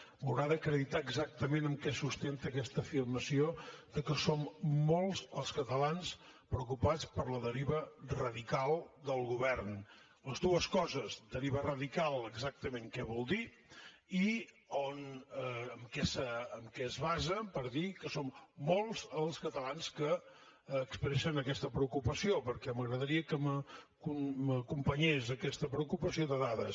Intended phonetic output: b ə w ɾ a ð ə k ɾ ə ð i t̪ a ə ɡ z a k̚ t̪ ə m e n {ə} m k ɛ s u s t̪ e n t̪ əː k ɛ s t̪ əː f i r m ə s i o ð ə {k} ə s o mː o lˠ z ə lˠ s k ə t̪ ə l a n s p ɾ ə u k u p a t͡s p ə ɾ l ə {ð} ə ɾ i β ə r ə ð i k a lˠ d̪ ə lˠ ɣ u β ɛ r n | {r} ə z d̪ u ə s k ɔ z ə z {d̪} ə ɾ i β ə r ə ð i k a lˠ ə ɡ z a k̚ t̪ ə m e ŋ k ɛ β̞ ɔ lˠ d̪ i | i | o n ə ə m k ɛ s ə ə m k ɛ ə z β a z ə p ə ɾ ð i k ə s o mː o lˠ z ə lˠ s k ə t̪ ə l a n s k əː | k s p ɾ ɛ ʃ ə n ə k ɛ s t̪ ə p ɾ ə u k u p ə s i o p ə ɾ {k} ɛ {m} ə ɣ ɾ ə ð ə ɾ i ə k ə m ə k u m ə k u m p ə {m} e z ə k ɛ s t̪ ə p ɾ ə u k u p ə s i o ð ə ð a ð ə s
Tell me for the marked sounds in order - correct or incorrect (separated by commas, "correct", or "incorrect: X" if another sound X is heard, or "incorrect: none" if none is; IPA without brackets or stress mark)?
correct, correct, correct, incorrect: l, correct, correct, correct, incorrect: ɲ